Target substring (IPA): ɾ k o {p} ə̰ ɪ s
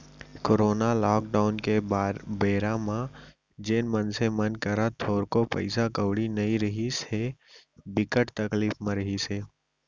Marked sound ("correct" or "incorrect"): correct